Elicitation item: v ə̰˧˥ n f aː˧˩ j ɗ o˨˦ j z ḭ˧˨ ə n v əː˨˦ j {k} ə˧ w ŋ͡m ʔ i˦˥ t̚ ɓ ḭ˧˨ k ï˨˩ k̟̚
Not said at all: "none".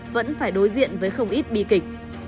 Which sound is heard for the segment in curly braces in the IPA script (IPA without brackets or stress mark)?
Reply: x